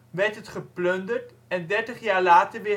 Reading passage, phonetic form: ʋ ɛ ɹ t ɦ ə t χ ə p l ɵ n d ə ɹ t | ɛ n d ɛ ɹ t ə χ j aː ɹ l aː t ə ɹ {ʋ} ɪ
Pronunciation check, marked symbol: correct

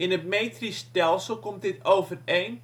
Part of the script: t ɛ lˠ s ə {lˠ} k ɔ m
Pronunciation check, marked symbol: correct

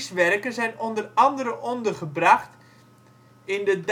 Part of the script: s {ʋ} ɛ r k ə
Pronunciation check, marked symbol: correct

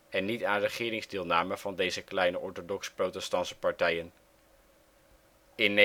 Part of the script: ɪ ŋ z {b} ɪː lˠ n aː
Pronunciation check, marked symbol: incorrect: d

